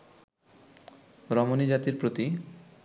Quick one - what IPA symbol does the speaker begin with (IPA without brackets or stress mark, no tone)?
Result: ɾ